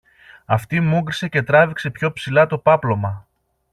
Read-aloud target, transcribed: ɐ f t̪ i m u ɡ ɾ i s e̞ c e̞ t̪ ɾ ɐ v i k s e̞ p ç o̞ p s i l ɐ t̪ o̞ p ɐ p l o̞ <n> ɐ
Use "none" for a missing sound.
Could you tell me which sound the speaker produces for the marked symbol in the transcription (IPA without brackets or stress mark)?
m